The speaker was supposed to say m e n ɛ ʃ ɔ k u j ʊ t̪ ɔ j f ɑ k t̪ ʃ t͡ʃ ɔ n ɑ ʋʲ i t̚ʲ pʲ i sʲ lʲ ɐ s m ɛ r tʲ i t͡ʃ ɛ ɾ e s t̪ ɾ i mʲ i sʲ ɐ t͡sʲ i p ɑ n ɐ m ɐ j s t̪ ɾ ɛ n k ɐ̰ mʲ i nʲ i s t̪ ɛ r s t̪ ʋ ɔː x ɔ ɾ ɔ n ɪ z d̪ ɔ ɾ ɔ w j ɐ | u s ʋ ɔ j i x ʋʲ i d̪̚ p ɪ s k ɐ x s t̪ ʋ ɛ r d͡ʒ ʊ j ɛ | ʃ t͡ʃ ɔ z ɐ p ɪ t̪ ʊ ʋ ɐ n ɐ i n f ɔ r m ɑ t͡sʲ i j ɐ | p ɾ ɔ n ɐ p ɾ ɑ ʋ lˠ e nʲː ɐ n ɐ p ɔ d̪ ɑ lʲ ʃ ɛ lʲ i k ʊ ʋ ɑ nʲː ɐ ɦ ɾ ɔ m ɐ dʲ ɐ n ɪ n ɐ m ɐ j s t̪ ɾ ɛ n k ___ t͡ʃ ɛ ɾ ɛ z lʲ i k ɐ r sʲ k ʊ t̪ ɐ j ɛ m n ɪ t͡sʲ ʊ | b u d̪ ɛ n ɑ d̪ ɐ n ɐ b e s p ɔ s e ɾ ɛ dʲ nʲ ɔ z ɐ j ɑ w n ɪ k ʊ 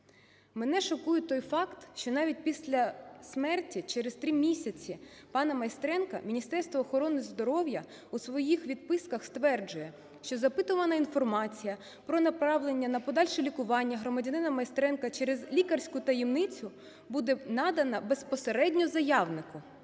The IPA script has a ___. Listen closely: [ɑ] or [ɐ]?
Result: ɐ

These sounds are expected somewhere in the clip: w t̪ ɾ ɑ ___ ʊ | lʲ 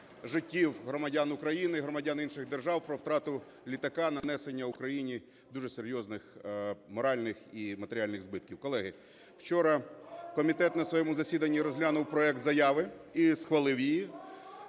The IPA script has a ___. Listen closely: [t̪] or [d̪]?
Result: t̪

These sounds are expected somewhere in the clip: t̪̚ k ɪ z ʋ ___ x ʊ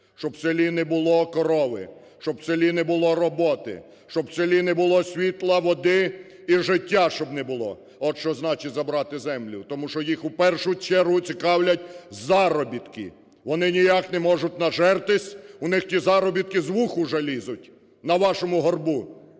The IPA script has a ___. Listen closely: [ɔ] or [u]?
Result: u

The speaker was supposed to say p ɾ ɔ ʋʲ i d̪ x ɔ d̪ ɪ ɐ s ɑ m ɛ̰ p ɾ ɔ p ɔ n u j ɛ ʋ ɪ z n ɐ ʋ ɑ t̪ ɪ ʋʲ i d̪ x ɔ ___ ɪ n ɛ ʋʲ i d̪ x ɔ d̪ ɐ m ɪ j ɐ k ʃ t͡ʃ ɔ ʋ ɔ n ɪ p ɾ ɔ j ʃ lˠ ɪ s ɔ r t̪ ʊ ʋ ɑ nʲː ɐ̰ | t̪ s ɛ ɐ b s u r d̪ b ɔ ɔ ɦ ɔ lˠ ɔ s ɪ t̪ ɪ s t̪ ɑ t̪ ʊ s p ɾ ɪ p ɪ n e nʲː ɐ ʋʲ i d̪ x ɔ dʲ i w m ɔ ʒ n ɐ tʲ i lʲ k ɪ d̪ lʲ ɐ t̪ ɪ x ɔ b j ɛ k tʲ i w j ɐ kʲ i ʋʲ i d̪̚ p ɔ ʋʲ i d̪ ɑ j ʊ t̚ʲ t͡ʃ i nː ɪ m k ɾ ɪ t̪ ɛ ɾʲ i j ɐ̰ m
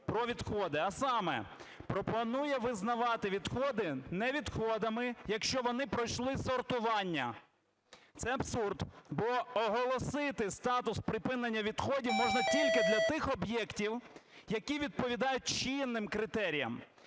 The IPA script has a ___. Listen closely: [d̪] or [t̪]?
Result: d̪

